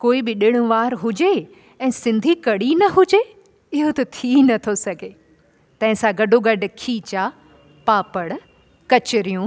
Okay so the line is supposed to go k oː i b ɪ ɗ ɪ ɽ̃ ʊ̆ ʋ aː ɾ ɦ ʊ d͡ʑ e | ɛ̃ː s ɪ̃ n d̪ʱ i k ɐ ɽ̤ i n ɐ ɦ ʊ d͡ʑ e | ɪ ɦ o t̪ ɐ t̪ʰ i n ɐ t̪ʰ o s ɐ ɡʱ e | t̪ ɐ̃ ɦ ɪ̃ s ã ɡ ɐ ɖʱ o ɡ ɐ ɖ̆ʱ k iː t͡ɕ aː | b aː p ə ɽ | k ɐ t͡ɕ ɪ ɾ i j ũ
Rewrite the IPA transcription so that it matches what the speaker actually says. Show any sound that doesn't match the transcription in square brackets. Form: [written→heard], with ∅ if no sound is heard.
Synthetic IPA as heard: k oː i b ɪ ɗ ɪ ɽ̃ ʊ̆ ʋ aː ɾ ɦ ʊ d͡ʑ e | ɛ̃ː s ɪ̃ n d̪ʱ i k ɐ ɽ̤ i n ɐ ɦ ʊ d͡ʑ e | ɪ ɦ o t̪ ɐ t̪ʰ i n ɐ t̪ʰ o s ɐ ɡʱ e | t̪ ɐ̃ ɦ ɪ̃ s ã ɡ ɐ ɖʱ o ɡ ɐ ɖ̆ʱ [k→kʰ] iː t͡ɕ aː | [b→p] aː p ə ɽ | k ɐ t͡ɕ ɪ ɾ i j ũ